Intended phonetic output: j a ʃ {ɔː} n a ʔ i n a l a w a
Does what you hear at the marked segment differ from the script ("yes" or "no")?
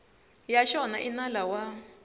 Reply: yes